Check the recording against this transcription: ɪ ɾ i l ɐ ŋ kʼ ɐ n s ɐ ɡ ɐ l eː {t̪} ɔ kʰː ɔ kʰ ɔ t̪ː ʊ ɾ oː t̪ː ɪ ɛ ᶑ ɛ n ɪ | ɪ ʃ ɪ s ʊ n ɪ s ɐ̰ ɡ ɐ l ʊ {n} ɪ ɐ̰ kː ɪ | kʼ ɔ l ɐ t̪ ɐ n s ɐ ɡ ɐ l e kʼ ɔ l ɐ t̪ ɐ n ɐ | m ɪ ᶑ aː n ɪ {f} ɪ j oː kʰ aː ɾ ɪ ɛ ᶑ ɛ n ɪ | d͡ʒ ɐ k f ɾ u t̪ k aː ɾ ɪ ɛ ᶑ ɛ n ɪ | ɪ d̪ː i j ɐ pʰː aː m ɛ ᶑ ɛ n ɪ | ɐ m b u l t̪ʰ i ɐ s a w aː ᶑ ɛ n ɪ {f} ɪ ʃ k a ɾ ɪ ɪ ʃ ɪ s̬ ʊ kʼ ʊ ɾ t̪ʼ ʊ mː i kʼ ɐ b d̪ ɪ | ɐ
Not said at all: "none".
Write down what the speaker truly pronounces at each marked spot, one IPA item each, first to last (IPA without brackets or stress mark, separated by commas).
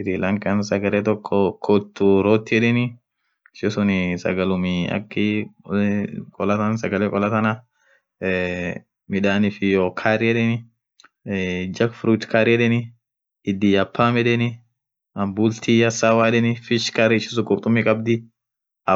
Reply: t̪, m, f, f